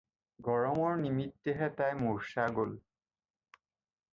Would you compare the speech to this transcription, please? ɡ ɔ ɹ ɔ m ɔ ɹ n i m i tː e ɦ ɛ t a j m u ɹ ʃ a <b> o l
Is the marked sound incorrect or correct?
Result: incorrect